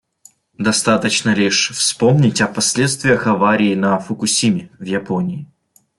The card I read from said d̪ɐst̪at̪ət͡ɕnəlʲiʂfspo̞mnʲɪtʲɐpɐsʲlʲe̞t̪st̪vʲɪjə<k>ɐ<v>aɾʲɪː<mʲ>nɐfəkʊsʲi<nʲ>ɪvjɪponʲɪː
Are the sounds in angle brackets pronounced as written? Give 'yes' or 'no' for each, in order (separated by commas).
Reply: no, yes, no, no